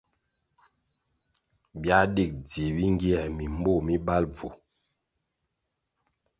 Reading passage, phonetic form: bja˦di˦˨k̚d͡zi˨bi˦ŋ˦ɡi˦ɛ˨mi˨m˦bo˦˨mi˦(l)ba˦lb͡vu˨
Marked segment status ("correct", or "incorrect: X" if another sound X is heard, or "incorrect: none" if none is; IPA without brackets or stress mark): incorrect: none